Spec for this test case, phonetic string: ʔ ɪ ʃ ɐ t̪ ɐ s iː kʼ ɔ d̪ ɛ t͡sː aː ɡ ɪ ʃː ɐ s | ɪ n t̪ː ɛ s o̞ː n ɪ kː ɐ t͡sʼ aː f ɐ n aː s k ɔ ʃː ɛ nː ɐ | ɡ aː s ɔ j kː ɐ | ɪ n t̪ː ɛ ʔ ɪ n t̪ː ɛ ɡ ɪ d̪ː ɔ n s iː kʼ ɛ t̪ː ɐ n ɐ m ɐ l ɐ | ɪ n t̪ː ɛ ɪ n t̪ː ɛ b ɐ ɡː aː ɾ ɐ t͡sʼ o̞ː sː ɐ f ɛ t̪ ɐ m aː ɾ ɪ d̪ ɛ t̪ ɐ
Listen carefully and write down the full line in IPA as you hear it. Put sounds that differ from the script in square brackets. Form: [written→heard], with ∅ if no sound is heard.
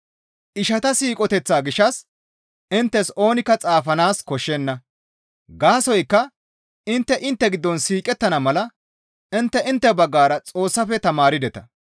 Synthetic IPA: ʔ ɪ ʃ ɐ t̪ ɐ s iː kʼ ɔ [d̪→t̪] ɛ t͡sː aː ɡ ɪ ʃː ɐ s | ɪ n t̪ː ɛ s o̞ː n ɪ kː ɐ t͡sʼ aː f ɐ n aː s k ɔ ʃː ɛ nː ɐ | ɡ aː s ɔ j kː ɐ | ɪ n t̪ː ɛ ʔ ɪ n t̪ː ɛ ɡ ɪ d̪ː ɔ n s iː kʼ ɛ t̪ː ɐ n ɐ m ɐ l ɐ | ɪ n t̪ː ɛ ɪ n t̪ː ɛ b ɐ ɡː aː ɾ ɐ t͡sʼ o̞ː sː ɐ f ɛ t̪ ɐ m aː ɾ ɪ d̪ ɛ t̪ ɐ